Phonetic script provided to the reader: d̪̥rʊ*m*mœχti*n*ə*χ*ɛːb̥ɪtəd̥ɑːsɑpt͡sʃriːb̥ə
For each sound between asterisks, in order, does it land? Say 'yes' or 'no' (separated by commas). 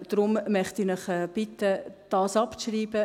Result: yes, yes, yes